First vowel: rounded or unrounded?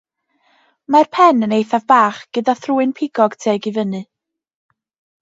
unrounded